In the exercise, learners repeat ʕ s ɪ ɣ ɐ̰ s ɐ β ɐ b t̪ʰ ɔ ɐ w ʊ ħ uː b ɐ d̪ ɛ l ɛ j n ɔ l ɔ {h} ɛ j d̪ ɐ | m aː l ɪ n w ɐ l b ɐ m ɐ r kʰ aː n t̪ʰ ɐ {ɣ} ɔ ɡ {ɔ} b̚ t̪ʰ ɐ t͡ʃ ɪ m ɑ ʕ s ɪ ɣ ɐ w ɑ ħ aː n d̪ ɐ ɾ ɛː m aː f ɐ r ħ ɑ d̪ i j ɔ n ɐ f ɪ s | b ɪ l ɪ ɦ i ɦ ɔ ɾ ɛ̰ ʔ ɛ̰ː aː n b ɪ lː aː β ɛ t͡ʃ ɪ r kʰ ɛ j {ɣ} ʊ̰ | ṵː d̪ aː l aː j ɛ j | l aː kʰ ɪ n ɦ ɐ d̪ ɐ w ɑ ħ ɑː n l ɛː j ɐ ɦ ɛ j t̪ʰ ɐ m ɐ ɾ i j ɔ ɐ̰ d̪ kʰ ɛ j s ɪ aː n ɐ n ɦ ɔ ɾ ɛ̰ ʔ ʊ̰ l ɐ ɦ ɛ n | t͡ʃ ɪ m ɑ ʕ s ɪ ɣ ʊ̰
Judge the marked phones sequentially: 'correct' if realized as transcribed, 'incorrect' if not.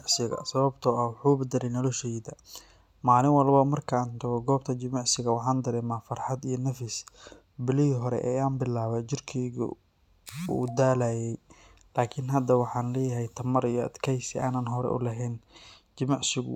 incorrect: ʃ, correct, incorrect: ɔː, correct

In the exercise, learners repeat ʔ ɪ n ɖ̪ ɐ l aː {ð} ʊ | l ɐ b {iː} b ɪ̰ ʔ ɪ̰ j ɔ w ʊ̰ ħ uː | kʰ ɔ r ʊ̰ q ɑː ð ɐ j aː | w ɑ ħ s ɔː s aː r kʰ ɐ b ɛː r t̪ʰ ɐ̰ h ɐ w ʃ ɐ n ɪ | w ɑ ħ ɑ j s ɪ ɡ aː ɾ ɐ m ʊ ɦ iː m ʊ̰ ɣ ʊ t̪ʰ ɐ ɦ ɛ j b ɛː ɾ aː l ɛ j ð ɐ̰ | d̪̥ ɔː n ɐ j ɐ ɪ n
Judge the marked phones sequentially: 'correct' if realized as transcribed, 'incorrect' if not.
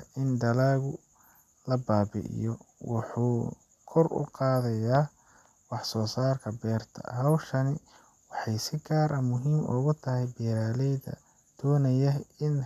incorrect: ɣ, incorrect: aː

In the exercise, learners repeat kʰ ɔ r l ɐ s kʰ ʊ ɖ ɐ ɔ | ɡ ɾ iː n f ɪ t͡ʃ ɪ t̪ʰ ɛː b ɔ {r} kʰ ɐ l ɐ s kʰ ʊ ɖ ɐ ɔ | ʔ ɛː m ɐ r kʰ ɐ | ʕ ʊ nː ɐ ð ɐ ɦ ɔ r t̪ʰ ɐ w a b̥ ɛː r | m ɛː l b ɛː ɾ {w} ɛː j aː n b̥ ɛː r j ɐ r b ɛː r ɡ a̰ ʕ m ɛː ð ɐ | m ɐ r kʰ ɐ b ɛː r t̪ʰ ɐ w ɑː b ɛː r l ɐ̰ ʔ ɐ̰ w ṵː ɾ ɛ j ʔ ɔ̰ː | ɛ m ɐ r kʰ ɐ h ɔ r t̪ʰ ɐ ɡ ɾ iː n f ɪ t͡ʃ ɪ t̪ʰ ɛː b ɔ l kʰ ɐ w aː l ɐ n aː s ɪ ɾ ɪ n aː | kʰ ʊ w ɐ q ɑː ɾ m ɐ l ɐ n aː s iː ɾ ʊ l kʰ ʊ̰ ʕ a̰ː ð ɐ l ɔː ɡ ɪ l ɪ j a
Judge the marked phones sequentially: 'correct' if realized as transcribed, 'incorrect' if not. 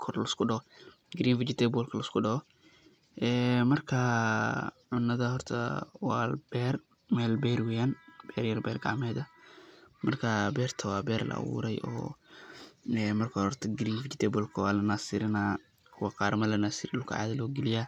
incorrect: l, correct

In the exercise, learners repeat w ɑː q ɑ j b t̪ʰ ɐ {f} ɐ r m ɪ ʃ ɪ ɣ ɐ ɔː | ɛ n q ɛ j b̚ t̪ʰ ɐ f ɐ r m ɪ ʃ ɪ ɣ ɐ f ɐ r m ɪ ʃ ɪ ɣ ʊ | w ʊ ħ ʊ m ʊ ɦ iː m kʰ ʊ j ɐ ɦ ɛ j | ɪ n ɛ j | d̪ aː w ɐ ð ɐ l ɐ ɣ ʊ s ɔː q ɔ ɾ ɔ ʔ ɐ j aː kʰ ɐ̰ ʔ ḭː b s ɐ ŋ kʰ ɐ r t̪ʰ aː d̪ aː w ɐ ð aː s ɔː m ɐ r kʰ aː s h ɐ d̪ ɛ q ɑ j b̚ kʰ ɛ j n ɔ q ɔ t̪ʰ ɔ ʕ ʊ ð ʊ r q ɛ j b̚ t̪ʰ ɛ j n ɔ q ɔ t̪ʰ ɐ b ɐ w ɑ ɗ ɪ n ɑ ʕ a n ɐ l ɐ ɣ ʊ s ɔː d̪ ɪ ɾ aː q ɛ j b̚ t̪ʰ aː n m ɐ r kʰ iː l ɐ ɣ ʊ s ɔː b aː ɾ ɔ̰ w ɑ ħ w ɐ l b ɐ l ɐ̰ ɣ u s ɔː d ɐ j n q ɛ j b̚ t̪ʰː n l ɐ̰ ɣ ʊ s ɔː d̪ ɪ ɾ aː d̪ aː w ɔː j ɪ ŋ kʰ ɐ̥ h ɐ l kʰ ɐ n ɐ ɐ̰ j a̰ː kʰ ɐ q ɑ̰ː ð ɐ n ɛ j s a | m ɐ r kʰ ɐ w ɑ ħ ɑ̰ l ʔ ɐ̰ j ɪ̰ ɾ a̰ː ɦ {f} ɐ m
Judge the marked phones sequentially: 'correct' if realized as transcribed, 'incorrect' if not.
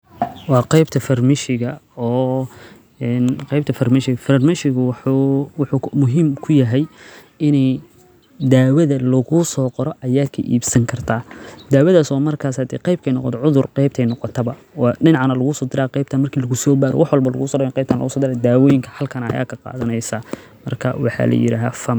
correct, correct

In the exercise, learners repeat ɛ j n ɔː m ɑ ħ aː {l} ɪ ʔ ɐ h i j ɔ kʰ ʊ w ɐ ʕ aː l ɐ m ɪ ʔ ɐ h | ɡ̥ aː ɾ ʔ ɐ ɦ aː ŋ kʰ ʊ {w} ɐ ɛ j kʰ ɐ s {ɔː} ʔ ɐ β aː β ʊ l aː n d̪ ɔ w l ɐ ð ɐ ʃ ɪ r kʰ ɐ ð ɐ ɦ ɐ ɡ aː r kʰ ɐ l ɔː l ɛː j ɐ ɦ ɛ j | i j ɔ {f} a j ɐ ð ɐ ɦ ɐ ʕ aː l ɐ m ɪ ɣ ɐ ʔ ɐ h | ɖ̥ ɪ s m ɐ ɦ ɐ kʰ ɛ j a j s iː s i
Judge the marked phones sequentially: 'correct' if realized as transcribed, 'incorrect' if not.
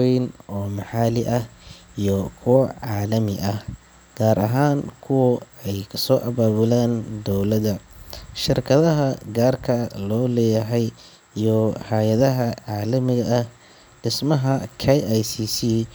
correct, correct, correct, incorrect: h

